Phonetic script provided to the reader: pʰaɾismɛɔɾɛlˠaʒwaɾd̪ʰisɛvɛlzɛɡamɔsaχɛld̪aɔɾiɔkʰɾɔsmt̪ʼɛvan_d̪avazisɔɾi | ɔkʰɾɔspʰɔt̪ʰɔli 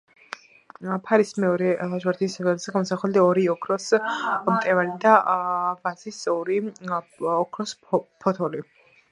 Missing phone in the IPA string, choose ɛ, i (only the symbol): i